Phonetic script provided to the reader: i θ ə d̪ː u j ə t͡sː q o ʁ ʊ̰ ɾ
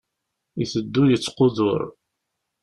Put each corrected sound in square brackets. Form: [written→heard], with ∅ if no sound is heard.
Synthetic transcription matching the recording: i θ ə d̪ː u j ə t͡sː q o [ʁ→ð] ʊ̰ ɾ